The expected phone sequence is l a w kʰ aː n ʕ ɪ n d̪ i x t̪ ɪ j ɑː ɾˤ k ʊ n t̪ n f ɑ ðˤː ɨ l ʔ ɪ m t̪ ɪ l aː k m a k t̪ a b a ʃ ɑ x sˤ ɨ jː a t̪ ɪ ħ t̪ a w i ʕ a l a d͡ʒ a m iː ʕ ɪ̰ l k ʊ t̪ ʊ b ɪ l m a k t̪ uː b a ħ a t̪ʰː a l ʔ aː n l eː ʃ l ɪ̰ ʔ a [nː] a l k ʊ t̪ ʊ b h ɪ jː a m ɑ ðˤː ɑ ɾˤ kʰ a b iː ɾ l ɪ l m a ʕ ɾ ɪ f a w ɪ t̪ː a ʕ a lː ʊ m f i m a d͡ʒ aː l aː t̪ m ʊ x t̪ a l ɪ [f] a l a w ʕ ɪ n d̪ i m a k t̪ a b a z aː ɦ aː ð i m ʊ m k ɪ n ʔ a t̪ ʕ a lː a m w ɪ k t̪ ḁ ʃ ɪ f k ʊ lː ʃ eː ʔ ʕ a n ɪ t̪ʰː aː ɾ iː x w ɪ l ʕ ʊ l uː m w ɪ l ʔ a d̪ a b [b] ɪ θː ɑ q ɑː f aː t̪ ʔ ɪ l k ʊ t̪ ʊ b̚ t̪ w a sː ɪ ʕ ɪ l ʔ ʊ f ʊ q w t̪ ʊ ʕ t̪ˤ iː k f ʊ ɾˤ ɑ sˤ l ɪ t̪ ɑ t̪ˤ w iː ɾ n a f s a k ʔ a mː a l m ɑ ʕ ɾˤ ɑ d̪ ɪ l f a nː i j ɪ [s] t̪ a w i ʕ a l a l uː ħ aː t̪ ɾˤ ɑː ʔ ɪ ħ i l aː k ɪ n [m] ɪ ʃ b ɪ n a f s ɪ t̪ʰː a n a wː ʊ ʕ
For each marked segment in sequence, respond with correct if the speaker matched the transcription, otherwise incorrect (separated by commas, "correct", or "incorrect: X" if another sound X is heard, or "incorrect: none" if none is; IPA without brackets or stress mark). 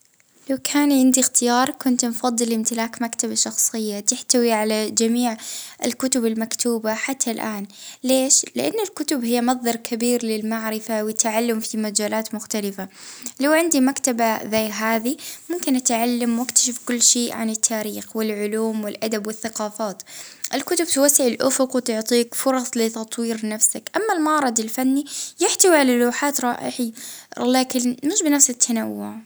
correct, correct, incorrect: w, incorrect: ħ, correct